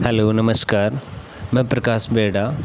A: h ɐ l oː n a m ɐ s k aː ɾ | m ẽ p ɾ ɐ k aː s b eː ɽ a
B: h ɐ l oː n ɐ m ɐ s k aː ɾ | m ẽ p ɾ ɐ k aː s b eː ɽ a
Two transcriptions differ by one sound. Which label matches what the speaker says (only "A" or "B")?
B